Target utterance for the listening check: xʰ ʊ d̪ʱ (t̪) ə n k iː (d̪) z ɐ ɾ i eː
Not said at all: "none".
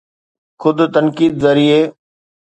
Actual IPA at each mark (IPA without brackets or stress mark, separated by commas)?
t̪, d̪